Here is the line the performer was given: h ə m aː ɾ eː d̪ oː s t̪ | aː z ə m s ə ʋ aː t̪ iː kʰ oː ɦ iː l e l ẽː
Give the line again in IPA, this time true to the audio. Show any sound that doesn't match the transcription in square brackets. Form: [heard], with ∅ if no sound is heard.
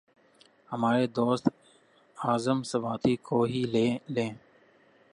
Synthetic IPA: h ə m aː ɾ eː d̪ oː s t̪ | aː z ə m s ə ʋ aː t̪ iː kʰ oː ɦ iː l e l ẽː

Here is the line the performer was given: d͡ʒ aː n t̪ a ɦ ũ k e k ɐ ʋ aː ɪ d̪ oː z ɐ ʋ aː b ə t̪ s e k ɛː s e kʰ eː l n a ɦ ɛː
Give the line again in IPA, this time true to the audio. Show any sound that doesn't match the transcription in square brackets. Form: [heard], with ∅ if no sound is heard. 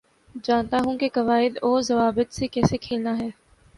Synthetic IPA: d͡ʒ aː n t̪ a ɦ ũ k e k ɐ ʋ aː ɪ d̪ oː z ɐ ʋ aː b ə t̪ s e k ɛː s e kʰ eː l n a ɦ ɛː

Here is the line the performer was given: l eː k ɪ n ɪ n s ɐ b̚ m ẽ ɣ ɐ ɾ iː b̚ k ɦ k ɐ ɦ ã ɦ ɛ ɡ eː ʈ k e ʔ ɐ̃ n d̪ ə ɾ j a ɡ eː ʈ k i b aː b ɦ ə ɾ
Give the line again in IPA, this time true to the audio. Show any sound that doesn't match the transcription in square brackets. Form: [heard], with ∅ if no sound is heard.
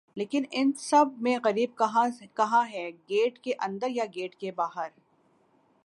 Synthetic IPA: l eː k ɪ n ɪ n s ɐ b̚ m ẽ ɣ ɐ ɾ iː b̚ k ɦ k ɐ ɦ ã ɦ ɛ ɡ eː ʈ k e ʔ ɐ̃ n d̪ ə ɾ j a ɡ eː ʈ k [e] b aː [∅] ɦ ə ɾ

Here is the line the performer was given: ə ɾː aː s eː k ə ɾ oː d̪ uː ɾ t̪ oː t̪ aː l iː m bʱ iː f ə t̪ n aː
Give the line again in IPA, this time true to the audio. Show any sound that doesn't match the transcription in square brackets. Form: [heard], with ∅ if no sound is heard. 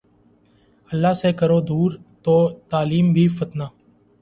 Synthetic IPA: ə [lː] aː s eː k ə ɾ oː d̪ uː ɾ t̪ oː t̪ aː l iː m bʱ iː f ə t̪ n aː

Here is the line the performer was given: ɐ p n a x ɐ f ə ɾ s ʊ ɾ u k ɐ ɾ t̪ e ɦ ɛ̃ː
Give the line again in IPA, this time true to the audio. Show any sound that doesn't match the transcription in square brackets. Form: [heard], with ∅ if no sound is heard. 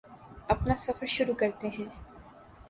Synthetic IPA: ɐ p n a [s] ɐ f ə ɾ [ʃ] ʊ ɾ u k ɐ ɾ t̪ e ɦ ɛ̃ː

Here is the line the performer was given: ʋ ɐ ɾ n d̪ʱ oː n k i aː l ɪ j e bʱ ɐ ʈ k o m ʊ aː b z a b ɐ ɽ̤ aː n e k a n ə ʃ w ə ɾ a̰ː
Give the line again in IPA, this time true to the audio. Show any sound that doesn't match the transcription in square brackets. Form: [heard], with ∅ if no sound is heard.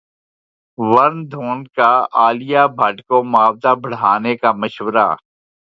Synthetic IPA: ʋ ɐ ɾ n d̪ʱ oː n k [a] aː l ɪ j [a] bʱ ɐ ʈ k o m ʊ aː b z a b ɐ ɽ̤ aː n e k a [m] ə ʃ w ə ɾ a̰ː

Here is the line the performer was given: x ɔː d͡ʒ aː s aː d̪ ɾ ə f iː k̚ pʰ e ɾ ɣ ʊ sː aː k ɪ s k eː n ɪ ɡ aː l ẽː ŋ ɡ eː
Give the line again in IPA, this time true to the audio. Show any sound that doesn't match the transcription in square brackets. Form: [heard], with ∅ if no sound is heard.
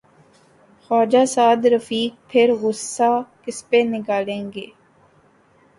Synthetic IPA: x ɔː d͡ʒ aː s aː d̪ ɾ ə f iː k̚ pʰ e ɾ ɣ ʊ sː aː k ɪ s [p] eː n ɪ ɡ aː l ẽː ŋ ɡ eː

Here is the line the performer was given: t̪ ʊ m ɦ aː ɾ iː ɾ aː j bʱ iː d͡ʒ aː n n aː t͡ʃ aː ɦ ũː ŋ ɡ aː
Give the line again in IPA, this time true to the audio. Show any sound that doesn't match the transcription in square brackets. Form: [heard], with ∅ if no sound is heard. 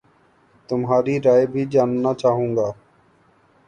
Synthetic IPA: t̪ ʊ m ɦ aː ɾ iː ɾ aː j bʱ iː d͡ʒ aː n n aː t͡ʃ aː ɦ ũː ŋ ɡ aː

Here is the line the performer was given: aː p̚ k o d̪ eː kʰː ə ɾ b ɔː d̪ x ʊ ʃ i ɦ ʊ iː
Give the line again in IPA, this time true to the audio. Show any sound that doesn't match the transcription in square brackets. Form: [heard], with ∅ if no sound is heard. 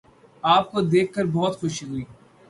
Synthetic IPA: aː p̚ k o d̪ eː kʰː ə ɾ b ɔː [t̪] x ʊ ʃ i ɦ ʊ iː

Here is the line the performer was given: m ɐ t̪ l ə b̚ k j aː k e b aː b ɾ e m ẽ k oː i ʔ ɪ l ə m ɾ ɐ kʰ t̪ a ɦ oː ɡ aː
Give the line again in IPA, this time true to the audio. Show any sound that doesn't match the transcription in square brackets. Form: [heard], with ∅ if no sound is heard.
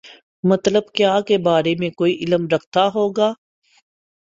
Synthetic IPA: m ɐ t̪ l ə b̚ k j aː k e b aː [∅] ɾ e m ẽ k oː i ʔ ɪ l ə m ɾ ɐ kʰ t̪ a ɦ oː ɡ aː

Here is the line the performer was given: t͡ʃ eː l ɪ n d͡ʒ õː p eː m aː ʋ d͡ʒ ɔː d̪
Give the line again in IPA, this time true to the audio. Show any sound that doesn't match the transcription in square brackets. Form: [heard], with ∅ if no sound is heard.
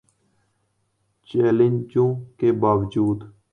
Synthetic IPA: t͡ʃ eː l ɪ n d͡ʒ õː [k] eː [b] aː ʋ d͡ʒ [uː] d̪

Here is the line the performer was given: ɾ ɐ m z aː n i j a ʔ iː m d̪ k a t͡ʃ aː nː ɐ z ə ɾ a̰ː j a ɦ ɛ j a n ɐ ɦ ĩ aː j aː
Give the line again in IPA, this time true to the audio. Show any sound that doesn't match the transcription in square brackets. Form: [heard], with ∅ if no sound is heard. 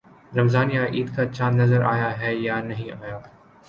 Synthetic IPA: ɾ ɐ m z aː n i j a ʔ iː [∅] d̪ k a t͡ʃ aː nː ɐ z ə ɾ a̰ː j a ɦ ɛ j a n ɐ ɦ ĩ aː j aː

